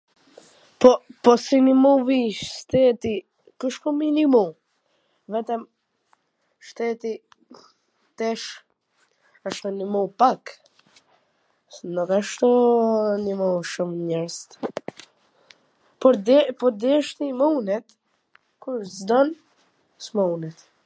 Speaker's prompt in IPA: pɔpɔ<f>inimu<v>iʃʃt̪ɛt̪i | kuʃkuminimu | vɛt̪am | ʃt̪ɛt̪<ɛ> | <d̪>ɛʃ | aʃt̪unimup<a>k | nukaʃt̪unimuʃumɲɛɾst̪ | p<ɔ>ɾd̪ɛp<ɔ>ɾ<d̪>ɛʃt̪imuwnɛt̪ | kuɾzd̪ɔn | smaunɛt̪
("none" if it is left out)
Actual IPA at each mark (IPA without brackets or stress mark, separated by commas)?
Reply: s, v, i, t̪, a, ɔ, ɔ, d̪